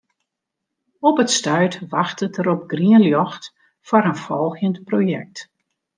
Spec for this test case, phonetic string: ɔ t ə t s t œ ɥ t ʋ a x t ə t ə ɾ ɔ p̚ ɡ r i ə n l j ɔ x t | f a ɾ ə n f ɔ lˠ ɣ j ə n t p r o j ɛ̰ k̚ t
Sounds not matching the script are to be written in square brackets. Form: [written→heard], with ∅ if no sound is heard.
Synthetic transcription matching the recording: ɔ [t→p] ə t s t œ ɥ t ʋ a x t ə t ə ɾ ɔ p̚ ɡ r i ə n l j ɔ x t | f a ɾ ə n f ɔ lˠ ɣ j ə n t p r o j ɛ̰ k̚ t